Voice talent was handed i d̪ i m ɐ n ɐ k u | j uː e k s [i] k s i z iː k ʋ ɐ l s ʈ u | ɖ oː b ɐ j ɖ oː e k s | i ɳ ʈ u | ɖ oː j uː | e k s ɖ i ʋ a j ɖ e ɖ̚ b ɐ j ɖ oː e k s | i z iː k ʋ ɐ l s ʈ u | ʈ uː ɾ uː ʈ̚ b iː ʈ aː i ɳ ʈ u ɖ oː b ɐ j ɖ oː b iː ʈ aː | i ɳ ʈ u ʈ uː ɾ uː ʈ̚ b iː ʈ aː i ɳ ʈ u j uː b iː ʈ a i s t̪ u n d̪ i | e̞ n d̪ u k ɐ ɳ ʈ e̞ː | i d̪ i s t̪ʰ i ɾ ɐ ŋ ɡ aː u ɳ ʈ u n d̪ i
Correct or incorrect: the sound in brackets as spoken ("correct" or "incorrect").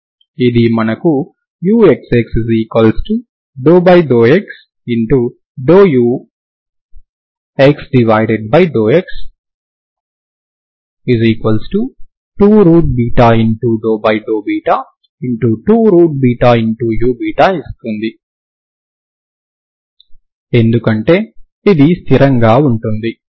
incorrect